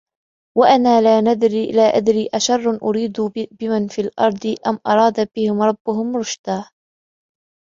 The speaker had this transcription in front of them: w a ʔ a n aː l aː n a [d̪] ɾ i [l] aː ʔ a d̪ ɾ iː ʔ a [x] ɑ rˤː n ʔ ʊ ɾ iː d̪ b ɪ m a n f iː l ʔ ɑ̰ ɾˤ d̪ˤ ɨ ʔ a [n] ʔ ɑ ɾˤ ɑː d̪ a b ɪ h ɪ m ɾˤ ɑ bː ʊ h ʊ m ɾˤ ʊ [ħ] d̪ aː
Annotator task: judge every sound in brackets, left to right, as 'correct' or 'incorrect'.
correct, correct, incorrect, incorrect, incorrect

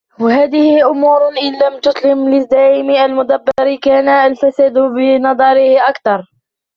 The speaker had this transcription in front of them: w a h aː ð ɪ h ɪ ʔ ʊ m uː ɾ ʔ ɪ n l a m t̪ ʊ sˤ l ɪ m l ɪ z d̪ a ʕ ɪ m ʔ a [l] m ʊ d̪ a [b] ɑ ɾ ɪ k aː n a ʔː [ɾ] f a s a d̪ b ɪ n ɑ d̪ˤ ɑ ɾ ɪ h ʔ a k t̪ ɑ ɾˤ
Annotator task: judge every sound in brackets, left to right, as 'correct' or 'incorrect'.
correct, incorrect, incorrect

